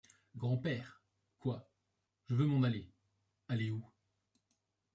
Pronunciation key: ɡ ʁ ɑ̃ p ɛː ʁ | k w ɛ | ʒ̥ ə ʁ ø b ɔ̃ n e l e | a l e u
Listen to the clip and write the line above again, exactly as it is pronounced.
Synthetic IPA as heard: ɡ ʁ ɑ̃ p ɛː ʁ | k w a | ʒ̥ ə v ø m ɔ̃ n a l e | a l e u